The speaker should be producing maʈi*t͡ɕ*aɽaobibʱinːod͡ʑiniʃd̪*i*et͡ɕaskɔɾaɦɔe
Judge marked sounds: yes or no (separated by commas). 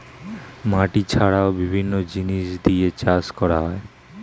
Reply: no, yes